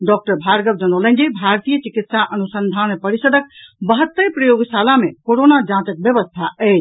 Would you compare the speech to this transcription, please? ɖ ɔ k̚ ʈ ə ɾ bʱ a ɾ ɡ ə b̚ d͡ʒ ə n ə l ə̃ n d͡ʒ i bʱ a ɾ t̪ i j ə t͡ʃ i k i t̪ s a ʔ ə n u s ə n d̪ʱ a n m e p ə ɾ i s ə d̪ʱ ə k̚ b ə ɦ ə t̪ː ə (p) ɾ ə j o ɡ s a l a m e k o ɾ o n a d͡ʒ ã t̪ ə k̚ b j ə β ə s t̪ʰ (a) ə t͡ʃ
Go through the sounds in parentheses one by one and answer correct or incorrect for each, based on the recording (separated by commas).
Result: correct, correct